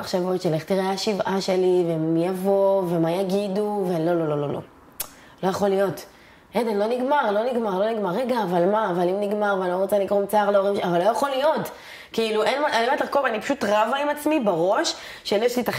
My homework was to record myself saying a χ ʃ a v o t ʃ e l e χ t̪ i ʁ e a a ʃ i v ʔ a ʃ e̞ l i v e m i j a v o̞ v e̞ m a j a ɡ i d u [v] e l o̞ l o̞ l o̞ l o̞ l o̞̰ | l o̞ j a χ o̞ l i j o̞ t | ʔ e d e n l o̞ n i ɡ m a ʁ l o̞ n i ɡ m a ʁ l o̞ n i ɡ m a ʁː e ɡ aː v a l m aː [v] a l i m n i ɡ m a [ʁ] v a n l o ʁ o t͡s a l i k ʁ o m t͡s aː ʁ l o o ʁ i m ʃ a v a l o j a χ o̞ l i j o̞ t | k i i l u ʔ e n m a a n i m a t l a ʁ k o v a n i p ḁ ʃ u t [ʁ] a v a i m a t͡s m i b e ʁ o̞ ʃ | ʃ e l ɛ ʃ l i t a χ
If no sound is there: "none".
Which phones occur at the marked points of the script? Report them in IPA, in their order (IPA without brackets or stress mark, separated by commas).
v, v, ʁ, ʁ